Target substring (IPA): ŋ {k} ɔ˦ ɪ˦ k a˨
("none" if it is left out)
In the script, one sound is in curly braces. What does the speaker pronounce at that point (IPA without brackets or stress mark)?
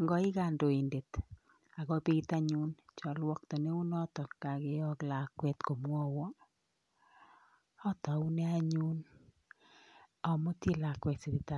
ɡ